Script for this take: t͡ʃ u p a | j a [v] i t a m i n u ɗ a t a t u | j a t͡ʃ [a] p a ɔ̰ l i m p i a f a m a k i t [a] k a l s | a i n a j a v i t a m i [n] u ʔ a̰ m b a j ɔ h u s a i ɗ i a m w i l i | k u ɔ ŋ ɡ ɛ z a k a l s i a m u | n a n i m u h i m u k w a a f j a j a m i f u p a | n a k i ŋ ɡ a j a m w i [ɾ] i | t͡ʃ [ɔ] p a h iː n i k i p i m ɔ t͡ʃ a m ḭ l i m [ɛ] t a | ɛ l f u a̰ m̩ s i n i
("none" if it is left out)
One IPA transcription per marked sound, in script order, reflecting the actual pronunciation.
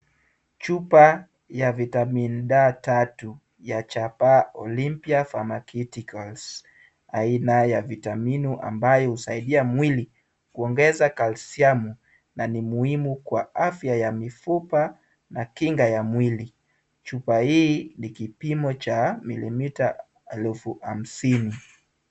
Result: v, a, i, n, l, u, i

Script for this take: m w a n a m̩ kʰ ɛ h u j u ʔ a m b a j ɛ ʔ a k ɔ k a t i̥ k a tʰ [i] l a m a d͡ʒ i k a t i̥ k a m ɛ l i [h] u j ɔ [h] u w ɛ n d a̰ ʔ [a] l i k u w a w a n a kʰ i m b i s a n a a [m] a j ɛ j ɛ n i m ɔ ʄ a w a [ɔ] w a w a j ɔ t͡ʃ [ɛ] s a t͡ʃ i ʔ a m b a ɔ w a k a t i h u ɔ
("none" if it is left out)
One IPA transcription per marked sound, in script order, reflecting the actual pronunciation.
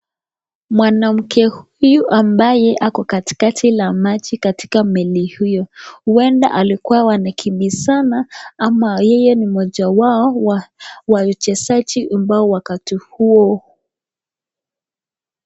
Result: i, h, h, a, m, ɔ, ɛ

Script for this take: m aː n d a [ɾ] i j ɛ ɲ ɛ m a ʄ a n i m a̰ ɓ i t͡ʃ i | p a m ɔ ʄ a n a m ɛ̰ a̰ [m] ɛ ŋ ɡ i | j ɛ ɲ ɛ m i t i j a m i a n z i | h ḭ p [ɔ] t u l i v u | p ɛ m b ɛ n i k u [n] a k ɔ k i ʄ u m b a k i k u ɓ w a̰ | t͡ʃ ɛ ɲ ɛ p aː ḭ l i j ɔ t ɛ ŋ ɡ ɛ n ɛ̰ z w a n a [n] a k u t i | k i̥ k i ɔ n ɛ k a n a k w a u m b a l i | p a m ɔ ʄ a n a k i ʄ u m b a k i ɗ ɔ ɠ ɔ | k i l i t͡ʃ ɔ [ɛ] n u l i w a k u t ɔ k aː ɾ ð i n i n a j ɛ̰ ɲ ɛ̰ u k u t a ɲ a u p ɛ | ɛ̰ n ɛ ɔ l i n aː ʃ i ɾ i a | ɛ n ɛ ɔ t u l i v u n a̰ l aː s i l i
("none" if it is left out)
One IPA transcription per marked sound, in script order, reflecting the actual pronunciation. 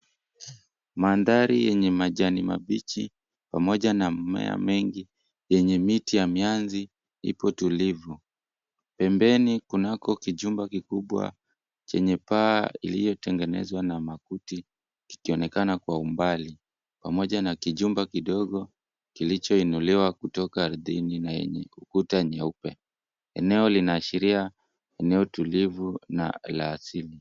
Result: ɾ, m, ɔ, n, m, i

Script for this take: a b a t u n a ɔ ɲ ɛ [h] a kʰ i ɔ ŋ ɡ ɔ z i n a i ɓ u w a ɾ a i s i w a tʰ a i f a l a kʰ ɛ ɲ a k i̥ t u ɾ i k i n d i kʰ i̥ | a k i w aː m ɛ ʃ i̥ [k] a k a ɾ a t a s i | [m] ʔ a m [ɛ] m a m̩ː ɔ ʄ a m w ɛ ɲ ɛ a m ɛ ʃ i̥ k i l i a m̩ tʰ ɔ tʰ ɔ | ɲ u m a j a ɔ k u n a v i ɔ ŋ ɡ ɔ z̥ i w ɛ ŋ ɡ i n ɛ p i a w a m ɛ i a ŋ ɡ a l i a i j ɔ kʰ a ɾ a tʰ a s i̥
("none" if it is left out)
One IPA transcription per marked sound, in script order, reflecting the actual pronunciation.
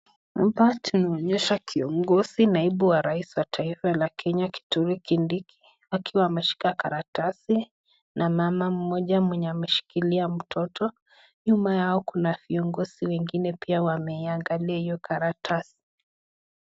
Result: ʃ, k, n, a

